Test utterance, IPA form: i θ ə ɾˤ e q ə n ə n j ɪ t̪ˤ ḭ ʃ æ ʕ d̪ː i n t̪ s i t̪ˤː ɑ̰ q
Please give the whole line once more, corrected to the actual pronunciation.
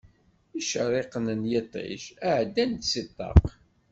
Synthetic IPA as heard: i ʃ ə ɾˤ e q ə n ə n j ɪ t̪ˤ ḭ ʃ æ ʕ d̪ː æ n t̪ s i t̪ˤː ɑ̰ q